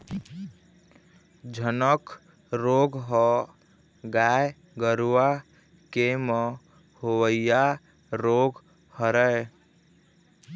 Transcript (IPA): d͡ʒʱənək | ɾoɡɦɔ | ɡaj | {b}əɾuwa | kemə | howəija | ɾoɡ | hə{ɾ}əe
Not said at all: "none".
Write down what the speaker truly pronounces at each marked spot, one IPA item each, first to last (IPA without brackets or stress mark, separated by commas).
ɡ, ɾ